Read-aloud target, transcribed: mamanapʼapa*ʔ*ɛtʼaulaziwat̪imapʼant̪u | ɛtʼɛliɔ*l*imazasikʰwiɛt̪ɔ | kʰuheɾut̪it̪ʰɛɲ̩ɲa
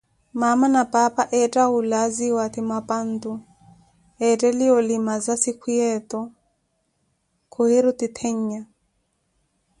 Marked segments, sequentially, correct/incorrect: correct, correct

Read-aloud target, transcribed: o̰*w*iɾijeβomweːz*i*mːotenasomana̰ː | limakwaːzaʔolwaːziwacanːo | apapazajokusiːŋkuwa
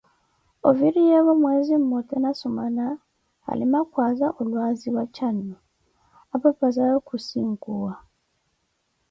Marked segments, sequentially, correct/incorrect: incorrect, correct

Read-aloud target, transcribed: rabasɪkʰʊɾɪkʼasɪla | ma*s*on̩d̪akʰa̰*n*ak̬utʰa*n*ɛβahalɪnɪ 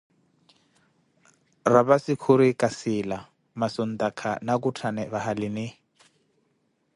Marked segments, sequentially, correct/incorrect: correct, correct, correct

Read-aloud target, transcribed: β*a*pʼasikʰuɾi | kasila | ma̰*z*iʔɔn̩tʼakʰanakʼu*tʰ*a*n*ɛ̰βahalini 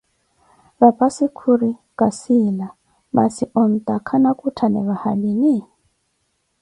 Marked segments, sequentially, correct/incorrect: correct, incorrect, correct, correct

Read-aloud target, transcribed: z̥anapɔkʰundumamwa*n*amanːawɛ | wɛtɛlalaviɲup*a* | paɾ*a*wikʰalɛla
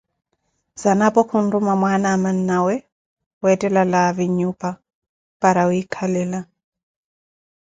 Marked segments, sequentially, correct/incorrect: correct, correct, correct

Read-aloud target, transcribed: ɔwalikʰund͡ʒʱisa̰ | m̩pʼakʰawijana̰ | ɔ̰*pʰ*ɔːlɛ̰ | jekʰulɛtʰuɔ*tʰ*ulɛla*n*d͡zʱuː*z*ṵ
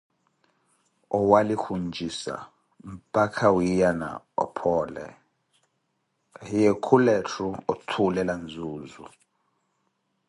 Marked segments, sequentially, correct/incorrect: correct, correct, correct, correct

